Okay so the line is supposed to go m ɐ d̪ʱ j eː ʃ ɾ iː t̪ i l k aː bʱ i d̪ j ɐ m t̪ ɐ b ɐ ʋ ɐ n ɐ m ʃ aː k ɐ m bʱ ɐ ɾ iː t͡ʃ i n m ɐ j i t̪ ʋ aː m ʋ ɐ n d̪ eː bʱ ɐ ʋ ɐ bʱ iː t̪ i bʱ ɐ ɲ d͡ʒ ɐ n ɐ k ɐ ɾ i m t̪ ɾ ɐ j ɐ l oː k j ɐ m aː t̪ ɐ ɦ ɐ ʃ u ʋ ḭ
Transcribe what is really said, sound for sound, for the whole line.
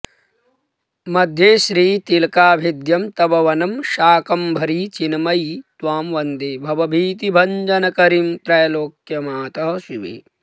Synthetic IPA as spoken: m ɐ d̪ʱ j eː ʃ ɾ iː t̪ i l k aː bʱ i d̪ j ɐ m t̪ ɐ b ɐ ʋ ɐ n ɐ m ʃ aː k ɐ m bʱ ɐ ɾ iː t͡ʃ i n m ɐ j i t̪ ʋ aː m ʋ ɐ n d̪ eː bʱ ɐ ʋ ɐ bʱ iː t̪ i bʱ ɐ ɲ d͡ʒ ɐ n ɐ k ɐ ɾ i m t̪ ɾ ɐ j ɐ l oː k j ɐ m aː t̪ ɐ ɦ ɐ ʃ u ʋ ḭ